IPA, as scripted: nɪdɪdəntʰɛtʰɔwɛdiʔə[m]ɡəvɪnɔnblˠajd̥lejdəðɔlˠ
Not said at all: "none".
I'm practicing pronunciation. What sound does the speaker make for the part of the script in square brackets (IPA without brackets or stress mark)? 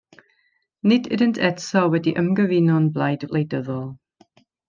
m